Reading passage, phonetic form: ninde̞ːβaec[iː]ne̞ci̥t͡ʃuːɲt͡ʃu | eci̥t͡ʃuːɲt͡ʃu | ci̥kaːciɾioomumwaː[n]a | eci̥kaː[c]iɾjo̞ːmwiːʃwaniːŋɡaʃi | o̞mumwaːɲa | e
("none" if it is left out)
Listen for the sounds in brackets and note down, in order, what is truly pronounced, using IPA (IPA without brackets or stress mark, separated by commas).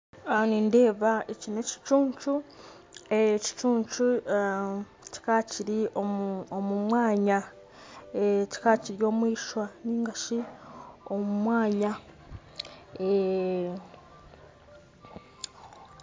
i, ɲ, c